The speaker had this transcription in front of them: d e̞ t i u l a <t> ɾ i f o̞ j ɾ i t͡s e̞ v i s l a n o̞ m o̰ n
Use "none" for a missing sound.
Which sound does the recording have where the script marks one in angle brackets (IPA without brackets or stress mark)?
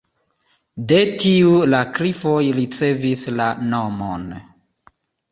k